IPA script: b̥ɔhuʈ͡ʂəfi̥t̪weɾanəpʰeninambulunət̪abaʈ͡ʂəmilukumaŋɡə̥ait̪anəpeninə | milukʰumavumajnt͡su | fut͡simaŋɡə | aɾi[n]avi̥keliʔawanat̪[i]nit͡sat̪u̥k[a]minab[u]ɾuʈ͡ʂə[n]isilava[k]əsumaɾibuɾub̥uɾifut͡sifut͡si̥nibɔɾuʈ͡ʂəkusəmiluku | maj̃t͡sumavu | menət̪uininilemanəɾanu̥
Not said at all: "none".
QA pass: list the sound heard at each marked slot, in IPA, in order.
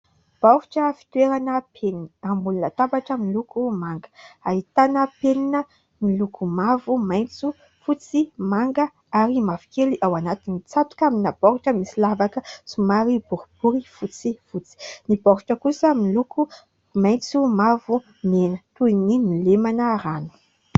m, i, a, ɔ, m, k

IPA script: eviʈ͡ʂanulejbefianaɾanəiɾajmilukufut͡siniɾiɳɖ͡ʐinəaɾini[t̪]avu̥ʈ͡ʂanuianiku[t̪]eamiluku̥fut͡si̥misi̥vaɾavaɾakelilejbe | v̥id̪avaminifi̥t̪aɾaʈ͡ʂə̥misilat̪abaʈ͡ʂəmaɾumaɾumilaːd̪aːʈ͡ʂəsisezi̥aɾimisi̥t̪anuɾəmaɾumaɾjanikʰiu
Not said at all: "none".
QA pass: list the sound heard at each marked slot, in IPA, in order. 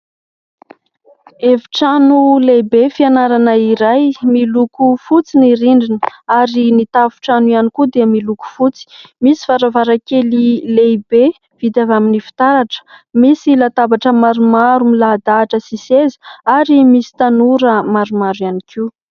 t̪, d̪

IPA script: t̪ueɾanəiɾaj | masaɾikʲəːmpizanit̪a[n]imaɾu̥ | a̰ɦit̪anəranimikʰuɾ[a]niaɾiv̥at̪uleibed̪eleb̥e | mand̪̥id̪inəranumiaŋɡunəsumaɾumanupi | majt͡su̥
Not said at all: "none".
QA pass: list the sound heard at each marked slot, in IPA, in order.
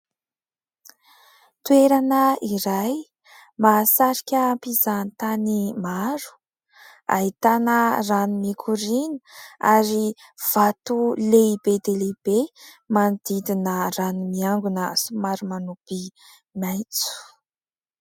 n, i

